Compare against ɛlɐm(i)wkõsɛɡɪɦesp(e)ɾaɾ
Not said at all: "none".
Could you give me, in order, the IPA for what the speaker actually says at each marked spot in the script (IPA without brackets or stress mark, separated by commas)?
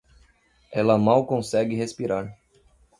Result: a, i